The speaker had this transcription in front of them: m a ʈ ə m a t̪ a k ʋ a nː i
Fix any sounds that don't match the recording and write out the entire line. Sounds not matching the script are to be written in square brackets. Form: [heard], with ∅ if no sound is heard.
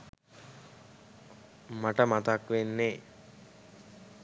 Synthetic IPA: m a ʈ ə m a t̪ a k ʋ [e] nː [e]